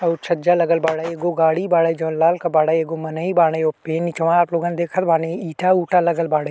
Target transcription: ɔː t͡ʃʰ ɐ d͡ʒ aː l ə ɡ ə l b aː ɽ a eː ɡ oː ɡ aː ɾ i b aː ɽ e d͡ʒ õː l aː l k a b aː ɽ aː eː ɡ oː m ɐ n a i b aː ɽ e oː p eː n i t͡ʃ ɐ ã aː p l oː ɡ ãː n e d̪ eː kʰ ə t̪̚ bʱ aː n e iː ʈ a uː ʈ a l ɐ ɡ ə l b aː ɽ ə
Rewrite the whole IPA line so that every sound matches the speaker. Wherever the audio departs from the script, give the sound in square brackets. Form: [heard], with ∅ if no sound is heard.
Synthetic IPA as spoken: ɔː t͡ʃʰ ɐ d͡ʒ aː l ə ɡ ə l b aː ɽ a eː ɡ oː ɡ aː [ɽ] i b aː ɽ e d͡ʒ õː l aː l k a b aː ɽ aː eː ɡ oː m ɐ n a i b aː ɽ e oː p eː n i t͡ʃ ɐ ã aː p l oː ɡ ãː n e d̪ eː kʰ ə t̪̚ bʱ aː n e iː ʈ a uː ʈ a l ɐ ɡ ə l b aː ɽ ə